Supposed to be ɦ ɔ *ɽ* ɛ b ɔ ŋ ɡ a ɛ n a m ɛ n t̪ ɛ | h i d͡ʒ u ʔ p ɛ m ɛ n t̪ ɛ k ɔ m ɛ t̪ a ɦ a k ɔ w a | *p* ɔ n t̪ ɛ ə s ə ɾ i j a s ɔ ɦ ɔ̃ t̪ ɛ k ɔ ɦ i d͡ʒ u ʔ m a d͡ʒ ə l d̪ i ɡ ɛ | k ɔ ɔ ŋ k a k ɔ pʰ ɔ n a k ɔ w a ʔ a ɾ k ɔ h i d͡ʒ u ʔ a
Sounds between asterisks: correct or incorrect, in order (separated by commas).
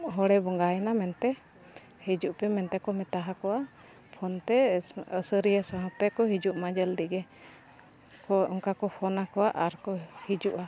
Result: correct, incorrect